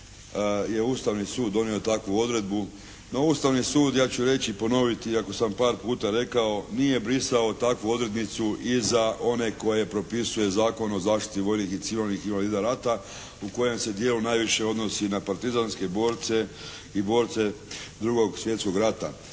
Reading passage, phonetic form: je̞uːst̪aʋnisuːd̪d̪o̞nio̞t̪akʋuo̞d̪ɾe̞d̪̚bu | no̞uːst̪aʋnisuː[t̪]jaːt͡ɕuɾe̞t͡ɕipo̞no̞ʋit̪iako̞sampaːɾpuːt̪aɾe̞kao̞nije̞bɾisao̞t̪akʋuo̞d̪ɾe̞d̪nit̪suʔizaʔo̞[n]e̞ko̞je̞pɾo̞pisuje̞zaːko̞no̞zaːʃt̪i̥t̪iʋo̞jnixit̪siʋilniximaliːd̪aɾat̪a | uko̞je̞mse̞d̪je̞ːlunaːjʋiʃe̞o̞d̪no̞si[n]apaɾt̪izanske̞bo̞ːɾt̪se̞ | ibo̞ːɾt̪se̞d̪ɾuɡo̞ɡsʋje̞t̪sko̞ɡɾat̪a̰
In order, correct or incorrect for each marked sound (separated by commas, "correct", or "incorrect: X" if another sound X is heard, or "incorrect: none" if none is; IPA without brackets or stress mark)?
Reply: incorrect: d̪, correct, correct